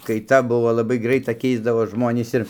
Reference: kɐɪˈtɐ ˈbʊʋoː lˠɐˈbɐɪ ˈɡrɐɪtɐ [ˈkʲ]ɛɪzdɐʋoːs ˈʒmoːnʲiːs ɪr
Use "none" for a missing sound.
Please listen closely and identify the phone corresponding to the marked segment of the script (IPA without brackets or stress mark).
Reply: kʲ